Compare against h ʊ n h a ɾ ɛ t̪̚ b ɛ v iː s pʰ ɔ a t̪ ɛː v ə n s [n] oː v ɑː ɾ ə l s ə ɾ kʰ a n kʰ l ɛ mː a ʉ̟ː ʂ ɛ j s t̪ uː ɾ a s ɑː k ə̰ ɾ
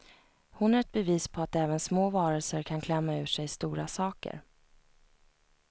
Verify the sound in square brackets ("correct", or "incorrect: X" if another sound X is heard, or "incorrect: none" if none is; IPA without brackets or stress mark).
incorrect: m